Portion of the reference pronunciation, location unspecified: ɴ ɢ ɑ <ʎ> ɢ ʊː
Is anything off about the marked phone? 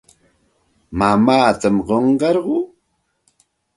yes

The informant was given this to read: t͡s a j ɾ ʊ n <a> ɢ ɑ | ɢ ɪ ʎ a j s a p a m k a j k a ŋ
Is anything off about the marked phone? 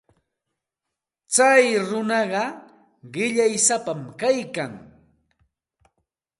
yes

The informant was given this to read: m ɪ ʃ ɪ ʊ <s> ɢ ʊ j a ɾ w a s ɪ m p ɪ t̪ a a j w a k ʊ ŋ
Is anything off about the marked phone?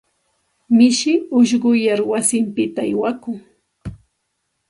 yes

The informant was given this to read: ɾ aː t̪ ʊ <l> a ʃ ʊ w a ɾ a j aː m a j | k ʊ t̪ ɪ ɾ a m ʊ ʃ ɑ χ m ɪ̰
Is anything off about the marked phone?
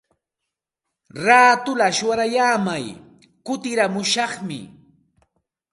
no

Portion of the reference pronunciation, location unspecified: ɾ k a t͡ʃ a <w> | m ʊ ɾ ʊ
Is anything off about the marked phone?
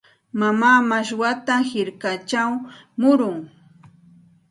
no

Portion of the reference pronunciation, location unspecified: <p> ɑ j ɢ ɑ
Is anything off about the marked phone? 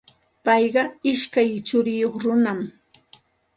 no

